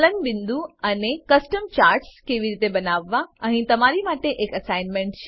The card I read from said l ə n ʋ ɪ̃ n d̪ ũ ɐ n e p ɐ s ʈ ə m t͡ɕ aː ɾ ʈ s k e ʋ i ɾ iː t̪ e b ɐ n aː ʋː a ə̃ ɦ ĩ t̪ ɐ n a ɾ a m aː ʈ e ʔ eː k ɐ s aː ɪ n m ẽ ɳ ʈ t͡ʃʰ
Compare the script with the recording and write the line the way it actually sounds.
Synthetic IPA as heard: l ə n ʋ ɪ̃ n d̪ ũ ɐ n e k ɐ s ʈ ə m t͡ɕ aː ɾ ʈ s k e ʋ i ɾ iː t̪ e b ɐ n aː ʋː a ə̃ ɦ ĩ t̪ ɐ m a ɾ i m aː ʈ e ʔ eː k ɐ s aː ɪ n m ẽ ɳ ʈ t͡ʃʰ